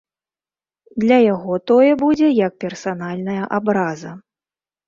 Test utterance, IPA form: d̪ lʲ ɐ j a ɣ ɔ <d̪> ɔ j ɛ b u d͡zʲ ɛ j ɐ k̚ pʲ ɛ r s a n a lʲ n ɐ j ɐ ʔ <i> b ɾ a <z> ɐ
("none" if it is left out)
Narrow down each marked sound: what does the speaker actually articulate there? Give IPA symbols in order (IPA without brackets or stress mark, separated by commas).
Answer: t̪, a, z